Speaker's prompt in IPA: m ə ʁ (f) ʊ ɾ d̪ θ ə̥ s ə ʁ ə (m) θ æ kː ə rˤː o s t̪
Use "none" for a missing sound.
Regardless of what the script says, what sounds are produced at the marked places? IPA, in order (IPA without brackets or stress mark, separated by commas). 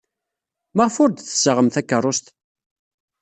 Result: f, m